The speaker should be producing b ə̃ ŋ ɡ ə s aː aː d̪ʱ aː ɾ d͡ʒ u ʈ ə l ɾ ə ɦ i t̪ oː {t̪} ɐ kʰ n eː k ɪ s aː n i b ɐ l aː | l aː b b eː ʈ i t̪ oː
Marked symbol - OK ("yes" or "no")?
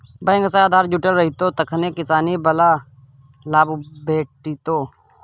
yes